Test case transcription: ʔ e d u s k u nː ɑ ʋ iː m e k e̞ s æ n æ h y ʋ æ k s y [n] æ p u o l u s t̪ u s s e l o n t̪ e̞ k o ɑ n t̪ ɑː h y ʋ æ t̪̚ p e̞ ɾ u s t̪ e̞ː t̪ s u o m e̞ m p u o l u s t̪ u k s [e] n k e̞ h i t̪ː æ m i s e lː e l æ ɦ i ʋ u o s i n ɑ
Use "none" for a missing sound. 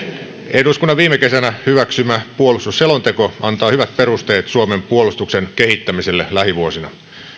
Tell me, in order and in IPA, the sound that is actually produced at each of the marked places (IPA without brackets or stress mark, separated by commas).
m, e